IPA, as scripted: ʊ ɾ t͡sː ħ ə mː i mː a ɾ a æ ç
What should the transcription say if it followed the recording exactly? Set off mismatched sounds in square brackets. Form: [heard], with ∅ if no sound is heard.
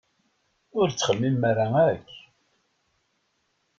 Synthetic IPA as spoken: ʊ ɾ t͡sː [χ] ə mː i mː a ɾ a æ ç